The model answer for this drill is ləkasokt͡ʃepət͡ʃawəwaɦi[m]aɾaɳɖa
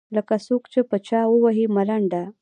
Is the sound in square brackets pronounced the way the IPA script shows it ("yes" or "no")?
yes